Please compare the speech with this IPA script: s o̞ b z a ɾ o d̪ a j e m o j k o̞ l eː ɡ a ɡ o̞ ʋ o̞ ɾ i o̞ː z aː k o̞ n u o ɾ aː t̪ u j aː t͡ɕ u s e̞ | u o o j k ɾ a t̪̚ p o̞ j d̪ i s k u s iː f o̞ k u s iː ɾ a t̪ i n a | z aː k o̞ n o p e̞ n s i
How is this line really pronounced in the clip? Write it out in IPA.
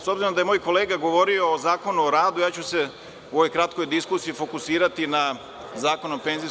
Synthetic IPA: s o̞ b z i ɾ o d̪ a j e m o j k o̞ l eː ɡ a ɡ o̞ ʋ o̞ ɾ i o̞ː z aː k o̞ n u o ɾ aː d̪ u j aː t͡ɕ u s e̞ | u o o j k ɾ a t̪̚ k o̞ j d̪ i s k u s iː f o̞ k u s iː ɾ a t̪ i n a | z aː k o̞ n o p e̞ n z i